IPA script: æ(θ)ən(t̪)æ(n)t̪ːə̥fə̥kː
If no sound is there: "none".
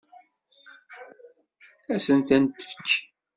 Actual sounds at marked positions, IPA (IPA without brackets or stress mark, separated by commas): s, t̪, n